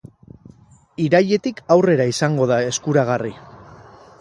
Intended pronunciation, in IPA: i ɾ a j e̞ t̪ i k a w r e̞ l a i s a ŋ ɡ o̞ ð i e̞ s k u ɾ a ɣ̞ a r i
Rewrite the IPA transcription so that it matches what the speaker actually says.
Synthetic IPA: i ɾ a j e̞ t̪ i k a w r e̞ ɾ a i s a ŋ ɡ o̞ ð a e̞ s k u ɾ a ɣ̞ a r i